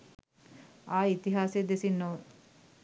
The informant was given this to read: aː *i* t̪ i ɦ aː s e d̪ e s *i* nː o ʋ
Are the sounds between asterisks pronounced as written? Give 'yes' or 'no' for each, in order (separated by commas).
yes, yes